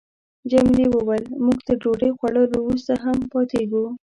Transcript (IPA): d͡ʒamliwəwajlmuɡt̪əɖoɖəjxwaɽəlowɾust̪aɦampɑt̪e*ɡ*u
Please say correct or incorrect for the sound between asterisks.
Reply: correct